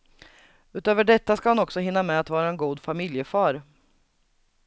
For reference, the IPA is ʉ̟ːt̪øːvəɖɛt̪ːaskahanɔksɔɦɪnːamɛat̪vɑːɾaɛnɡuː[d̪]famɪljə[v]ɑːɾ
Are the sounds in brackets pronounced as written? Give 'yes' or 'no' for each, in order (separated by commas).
yes, no